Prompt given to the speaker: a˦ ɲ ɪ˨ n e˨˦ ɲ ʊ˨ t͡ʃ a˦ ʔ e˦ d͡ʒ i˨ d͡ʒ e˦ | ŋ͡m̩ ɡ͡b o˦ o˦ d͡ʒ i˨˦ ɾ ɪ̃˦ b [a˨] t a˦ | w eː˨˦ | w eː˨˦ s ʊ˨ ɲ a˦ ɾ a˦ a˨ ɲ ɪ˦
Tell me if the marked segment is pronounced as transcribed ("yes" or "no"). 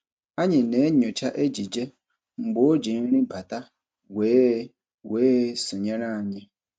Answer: yes